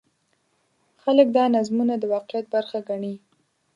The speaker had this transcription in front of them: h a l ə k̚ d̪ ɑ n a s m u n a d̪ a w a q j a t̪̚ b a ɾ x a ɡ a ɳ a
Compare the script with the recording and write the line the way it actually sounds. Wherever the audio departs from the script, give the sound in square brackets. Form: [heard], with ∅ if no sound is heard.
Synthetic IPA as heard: [x] a l ə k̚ d̪ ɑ n a [z] m u n a d̪ [ə] w [ɑ] q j a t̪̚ b a ɾ x a ɡ a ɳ [i]